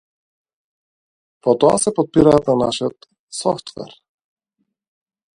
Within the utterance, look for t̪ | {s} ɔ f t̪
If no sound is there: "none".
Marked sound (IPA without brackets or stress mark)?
s